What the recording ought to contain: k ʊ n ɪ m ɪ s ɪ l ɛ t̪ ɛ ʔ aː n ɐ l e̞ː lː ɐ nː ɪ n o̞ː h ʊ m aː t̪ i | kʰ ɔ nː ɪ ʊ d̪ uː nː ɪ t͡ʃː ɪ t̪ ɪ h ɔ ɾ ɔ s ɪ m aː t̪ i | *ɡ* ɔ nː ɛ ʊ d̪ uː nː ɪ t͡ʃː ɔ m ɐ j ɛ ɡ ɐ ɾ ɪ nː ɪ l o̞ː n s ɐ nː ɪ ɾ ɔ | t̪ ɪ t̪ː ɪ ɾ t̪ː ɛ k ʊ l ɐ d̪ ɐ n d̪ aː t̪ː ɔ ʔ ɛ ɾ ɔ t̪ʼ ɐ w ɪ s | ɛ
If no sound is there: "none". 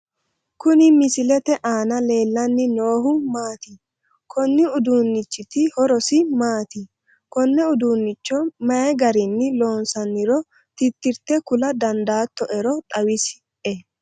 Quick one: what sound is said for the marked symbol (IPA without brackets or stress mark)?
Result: k